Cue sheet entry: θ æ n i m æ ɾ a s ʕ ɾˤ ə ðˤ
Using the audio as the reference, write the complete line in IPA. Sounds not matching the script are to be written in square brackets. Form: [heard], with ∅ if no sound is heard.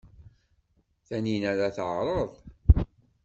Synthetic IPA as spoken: θ æ n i [n] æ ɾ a [θ] ʕ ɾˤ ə ðˤ